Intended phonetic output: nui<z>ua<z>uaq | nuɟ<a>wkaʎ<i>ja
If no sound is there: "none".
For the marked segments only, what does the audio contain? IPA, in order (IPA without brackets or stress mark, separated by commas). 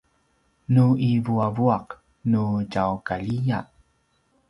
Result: v, v, a, i